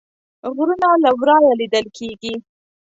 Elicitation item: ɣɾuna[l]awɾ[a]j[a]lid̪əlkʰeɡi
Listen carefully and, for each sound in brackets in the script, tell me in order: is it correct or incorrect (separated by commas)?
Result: correct, incorrect, correct